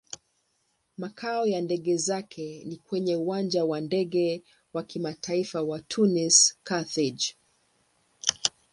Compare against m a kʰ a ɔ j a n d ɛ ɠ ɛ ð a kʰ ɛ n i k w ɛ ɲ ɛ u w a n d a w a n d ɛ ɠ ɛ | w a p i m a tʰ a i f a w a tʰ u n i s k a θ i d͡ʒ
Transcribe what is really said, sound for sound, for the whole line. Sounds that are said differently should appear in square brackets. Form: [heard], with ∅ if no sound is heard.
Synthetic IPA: m a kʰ a ɔ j a n d ɛ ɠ ɛ [z] a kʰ ɛ n i k w ɛ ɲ ɛ u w a n [d͡ʒ] a w a n d ɛ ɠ ɛ | w a [k] i m a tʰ a i f a w a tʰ u n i s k a θ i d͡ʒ